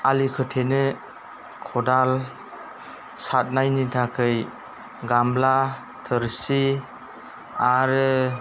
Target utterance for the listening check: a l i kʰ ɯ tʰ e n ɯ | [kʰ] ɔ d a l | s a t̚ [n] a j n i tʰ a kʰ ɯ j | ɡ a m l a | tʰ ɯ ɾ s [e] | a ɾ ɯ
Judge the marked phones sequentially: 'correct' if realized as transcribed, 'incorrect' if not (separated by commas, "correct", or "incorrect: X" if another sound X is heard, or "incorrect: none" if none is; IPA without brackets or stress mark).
correct, correct, incorrect: i